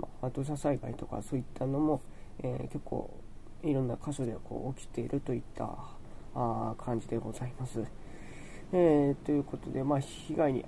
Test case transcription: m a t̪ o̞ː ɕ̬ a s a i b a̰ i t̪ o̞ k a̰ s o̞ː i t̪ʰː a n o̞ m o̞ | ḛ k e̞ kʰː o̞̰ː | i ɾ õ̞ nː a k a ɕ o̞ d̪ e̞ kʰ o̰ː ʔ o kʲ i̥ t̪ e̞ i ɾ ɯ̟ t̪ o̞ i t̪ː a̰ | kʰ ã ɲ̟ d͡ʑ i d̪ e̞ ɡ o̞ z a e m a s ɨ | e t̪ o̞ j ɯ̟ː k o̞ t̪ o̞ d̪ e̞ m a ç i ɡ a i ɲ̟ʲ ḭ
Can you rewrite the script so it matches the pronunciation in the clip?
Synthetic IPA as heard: m a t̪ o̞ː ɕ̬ a s a i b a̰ i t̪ o̞ k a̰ s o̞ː i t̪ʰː a n o̞ m o̞ | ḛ k e̞ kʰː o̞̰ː | i ɾ õ̞ nː a k a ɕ o̞ d̪ e̞ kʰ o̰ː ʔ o kʲ i̥ t̪ e̞ i ɾ ɯ̟ t̪ o̞ i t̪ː a̰ | kʰ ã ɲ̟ d͡ʑ i d̪ e̞ ɡ o̞ z a i m a s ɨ | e t̪ o̞ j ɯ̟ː k o̞ t̪ o̞ d̪ e̞ m a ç i ɡ a i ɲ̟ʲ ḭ